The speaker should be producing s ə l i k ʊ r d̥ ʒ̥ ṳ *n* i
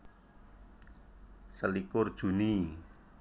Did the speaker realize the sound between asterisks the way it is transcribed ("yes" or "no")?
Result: yes